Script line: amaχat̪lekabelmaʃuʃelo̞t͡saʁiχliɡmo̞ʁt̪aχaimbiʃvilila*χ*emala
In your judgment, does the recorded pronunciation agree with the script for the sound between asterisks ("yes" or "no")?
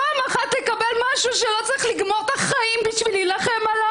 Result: yes